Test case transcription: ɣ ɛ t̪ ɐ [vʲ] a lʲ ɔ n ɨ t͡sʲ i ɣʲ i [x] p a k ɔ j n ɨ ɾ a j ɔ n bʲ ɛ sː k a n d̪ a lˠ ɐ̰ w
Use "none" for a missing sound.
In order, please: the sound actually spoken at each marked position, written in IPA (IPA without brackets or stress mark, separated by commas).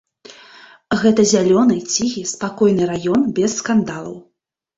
zʲ, s